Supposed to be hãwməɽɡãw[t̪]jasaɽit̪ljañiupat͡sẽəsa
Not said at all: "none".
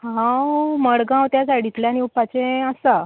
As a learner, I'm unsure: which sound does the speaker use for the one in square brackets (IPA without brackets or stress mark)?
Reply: t̪